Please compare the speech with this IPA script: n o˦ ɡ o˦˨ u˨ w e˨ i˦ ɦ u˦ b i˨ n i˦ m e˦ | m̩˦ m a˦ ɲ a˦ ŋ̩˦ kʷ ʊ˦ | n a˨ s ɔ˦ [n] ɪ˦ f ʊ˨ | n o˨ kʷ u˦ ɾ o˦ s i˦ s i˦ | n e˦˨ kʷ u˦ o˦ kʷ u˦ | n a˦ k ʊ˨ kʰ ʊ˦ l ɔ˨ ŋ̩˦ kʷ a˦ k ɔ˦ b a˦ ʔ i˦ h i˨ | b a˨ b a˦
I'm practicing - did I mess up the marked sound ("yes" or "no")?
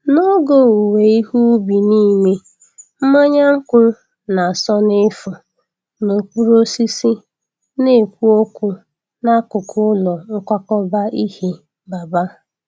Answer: no